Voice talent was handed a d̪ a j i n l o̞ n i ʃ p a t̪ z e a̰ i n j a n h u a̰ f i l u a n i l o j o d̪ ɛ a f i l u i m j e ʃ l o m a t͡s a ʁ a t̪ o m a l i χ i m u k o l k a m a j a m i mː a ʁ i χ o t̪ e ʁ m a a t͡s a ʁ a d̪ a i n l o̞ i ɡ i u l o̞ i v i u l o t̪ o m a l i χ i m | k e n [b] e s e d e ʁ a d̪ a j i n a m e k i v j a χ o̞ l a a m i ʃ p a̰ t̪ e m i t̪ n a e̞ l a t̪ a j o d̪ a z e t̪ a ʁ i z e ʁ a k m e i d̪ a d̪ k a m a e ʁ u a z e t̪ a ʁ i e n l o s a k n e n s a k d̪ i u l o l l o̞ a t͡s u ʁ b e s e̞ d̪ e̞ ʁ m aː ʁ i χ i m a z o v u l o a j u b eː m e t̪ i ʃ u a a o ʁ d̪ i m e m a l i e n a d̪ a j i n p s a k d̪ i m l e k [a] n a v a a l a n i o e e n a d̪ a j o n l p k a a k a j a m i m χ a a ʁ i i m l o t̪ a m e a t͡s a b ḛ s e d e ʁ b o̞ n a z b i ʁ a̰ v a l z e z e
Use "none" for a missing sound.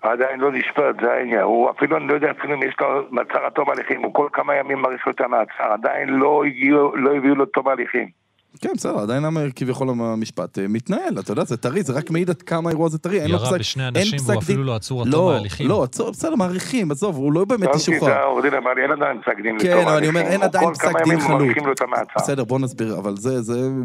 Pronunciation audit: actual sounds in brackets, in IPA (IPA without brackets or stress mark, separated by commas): b, e